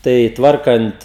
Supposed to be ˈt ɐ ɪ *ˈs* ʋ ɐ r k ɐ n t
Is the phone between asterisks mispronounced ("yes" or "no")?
yes